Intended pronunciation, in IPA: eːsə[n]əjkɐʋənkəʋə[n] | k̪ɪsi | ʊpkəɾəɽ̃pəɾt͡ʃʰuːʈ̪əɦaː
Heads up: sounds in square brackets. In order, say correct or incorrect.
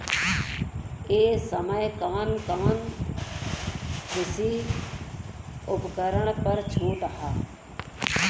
incorrect: m, correct

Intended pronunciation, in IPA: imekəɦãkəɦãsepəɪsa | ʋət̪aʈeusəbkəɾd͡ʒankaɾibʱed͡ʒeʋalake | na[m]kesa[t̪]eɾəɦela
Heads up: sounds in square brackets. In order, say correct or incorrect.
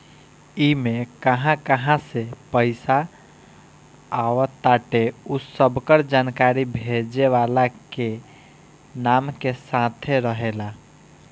correct, incorrect: t̪ʰ

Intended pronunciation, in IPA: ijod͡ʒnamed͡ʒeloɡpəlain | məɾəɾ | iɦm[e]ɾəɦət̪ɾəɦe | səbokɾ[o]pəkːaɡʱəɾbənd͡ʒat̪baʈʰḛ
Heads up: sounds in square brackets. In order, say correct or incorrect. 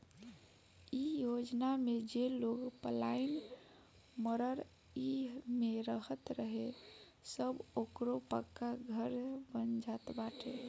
correct, correct

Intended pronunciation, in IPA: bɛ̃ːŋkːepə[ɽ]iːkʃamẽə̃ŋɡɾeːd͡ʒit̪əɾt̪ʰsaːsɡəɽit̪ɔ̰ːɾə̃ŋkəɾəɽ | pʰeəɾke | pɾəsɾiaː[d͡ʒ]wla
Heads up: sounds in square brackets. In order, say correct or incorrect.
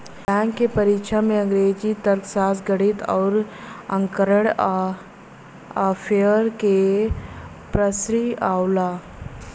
incorrect: ɾ, incorrect: none

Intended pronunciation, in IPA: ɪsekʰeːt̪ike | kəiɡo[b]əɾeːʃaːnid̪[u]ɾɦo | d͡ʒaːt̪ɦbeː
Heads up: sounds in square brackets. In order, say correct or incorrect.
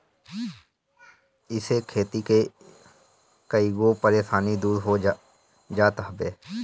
incorrect: p, incorrect: uː

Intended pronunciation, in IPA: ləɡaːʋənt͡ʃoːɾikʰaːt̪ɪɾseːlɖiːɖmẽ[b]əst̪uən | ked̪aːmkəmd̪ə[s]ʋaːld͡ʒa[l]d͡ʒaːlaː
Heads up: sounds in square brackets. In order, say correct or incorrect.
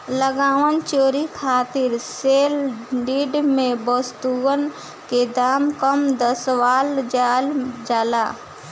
correct, correct, correct

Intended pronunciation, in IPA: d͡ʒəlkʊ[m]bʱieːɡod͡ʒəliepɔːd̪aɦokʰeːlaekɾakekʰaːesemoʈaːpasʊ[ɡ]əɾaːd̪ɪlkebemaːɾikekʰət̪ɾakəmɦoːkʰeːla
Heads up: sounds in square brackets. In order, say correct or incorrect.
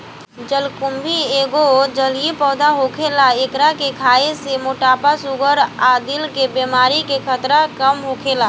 correct, correct

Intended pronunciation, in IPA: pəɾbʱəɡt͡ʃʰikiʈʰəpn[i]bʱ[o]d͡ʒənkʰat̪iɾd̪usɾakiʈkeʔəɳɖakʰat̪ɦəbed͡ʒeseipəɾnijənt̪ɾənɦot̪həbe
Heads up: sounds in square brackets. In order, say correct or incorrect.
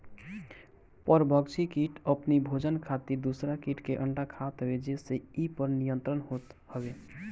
correct, correct

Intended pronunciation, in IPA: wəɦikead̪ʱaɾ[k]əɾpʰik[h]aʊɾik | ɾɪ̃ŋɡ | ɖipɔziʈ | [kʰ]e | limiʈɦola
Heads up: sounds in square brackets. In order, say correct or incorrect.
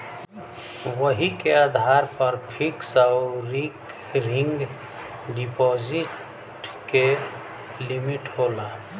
incorrect: p, incorrect: s, incorrect: k

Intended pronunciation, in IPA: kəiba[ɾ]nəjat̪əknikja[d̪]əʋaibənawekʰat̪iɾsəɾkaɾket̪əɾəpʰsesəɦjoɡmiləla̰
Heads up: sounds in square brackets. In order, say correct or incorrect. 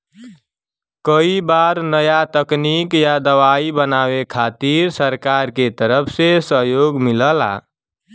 correct, correct

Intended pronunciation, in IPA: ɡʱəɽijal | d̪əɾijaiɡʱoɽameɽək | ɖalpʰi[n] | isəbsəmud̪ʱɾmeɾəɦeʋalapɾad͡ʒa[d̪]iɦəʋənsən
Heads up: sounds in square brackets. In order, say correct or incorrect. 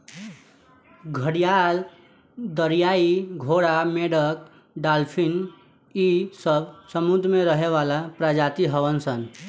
correct, incorrect: t̪

